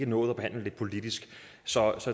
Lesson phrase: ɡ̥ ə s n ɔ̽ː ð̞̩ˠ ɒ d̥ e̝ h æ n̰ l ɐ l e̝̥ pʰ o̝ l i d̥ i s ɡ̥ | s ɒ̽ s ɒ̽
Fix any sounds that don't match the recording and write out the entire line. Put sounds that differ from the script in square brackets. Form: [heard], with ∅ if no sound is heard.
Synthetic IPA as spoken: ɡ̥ ə [∅] n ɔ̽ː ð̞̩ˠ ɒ [b̥] e̝ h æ n̰ l [ə] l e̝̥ pʰ o̝ l i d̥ i s ɡ̥ | s ɒ̽ s ɒ̽